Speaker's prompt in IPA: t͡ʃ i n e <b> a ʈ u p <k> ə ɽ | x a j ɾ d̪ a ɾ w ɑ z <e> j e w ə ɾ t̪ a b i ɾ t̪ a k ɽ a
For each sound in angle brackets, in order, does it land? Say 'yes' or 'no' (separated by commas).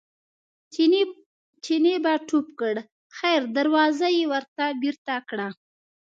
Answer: yes, yes, no